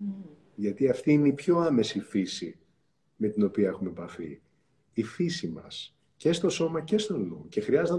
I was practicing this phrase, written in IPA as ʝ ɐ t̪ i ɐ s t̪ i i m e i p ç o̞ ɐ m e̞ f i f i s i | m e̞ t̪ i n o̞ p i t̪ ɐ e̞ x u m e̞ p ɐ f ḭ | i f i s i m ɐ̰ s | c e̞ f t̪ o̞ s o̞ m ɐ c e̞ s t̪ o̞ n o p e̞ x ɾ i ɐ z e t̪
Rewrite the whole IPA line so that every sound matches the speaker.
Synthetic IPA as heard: ʝ ɐ t̪ i ɐ f t̪ i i n e i p ç o̞ ɐ m e̞ s i f i s i | m e̞ t̪ i n o̞ p i ɐ e̞ x u m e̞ p ɐ f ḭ | i f i s i m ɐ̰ s | c e̞ s t̪ o̞ s o̞ m ɐ c e̞ s t̪ o̞ n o c e̞ x ɾ i ɐ z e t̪